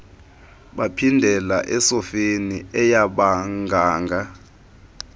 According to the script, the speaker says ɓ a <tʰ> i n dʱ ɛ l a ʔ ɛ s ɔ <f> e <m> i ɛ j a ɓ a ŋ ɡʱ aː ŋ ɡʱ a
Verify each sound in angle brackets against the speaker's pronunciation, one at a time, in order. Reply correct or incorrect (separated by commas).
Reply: incorrect, correct, incorrect